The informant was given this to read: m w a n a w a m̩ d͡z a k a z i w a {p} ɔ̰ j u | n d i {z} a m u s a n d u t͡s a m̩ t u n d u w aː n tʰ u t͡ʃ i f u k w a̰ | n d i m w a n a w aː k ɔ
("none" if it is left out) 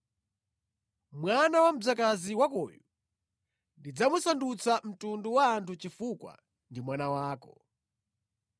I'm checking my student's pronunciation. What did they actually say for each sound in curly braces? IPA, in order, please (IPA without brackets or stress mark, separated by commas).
k, d͡z